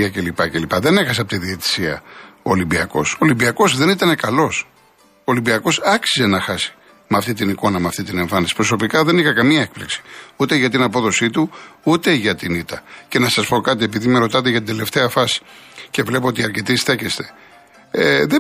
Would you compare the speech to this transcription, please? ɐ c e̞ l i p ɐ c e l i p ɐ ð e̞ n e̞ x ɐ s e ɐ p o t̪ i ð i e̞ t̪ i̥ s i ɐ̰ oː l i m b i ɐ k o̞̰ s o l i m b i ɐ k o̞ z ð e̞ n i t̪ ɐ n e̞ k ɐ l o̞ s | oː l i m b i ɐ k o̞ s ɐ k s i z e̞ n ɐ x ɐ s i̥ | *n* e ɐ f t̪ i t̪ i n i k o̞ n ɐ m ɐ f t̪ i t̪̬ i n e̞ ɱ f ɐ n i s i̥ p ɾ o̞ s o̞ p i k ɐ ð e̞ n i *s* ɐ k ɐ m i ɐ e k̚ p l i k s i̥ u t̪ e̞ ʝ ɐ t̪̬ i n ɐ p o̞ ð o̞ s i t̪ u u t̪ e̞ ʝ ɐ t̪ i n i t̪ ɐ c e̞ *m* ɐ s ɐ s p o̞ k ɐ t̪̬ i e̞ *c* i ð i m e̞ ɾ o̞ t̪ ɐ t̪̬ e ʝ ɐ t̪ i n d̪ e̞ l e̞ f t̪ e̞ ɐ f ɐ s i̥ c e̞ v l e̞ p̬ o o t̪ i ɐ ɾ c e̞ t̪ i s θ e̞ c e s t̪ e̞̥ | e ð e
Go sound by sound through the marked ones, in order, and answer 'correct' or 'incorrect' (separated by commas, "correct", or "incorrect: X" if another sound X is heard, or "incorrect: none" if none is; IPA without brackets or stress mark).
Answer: incorrect: m, incorrect: x, incorrect: n, incorrect: p